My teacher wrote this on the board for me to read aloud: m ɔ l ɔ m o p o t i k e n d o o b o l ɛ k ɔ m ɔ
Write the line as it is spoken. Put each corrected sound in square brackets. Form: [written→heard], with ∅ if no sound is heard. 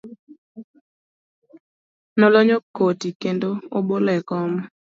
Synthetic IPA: [m→n] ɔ l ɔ [m→ɲ] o [p→k] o t i k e n d o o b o l ɛ k ɔ m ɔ